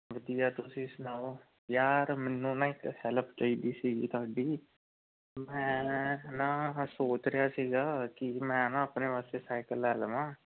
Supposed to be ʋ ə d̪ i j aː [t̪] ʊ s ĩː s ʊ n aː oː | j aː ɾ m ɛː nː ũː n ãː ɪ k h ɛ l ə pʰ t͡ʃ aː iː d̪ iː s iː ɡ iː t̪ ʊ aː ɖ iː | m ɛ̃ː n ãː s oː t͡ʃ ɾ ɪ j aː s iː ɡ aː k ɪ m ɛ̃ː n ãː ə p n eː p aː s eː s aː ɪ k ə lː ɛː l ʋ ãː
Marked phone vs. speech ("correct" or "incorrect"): correct